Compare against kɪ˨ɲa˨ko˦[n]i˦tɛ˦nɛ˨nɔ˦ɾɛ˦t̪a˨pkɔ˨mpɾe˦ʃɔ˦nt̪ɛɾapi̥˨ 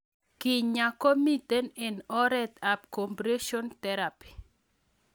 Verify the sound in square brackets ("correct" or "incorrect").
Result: incorrect